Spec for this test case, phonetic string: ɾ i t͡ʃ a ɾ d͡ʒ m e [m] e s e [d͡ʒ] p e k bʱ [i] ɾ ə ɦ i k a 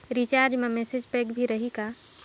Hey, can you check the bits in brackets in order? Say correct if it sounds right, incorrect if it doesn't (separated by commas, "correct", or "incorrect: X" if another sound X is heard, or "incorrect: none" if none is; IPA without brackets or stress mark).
correct, correct, correct